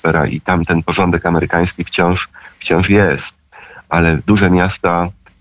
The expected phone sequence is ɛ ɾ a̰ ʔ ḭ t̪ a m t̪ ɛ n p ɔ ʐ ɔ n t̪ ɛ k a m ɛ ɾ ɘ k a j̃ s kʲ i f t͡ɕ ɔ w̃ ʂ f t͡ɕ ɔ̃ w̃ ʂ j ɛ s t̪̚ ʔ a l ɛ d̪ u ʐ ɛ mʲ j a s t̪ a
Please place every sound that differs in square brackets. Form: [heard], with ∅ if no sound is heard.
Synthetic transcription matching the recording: ɛ ɾ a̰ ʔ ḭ t̪ a m t̪ ɛ n p ɔ ʐ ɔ n [d̪] ɛ k a m ɛ ɾ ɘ k a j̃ s kʲ i f t͡ɕ [ɔ̃] w̃ ʂ f t͡ɕ ɔ̃ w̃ ʂ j ɛ s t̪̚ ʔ a l ɛ d̪ u ʐ ɛ mʲ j a s t̪ a